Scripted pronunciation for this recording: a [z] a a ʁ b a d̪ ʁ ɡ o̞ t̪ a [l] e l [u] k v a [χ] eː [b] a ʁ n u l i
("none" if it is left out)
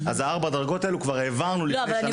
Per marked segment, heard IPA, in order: z, none, u, ʁ, v

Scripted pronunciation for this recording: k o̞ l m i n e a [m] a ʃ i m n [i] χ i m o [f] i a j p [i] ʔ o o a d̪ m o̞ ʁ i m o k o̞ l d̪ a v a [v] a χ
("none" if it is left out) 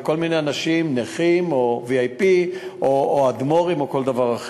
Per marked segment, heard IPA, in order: n, e, v, i, ʁ

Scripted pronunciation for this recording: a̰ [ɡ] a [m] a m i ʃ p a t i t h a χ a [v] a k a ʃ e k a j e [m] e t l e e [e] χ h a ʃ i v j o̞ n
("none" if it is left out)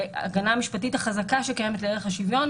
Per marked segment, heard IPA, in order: ɡ, n, z, m, e

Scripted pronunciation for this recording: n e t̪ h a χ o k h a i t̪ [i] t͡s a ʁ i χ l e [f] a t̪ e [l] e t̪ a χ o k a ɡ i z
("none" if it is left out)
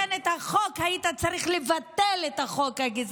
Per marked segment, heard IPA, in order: a, v, l

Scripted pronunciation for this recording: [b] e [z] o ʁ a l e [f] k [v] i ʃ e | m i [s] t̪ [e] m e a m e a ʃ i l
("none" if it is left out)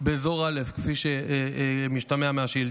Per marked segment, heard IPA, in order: b, z, f, f, ʃ, a

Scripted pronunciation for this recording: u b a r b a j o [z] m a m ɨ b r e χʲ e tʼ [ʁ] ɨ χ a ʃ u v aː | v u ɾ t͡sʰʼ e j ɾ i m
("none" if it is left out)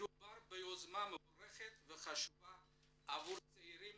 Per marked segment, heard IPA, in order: z, v

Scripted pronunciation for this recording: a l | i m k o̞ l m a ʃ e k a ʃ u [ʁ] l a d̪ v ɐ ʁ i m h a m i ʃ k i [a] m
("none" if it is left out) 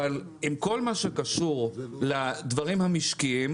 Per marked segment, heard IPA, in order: ʁ, i

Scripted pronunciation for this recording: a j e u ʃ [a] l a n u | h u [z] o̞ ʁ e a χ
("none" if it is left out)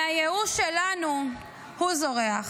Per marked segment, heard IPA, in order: e, z

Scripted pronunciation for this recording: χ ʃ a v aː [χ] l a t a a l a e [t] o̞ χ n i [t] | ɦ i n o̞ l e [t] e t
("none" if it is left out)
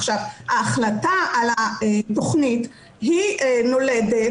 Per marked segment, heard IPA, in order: χ, t, t, d

